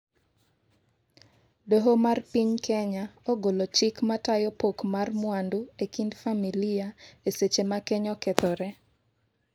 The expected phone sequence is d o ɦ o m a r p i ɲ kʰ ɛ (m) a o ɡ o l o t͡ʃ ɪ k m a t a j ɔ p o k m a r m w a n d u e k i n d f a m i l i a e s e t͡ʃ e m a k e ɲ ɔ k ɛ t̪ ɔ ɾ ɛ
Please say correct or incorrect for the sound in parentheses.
incorrect